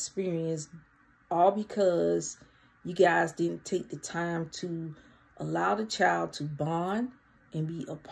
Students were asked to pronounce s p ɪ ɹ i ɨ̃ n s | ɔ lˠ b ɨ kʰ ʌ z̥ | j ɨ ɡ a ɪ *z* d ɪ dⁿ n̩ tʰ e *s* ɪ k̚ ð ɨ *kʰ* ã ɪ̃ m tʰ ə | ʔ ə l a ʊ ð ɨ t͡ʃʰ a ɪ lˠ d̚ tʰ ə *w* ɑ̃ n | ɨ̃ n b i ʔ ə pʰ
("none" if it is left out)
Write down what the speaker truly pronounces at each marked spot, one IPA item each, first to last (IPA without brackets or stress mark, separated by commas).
z, none, tʰ, b